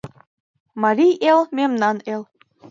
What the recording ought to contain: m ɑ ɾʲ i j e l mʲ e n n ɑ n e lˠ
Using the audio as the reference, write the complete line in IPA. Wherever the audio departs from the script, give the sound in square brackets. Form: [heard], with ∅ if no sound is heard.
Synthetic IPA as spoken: m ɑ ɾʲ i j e l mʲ e [m] n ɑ n e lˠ